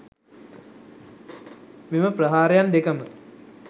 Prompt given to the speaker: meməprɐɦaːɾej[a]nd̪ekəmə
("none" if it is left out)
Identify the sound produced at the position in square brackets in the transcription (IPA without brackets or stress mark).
a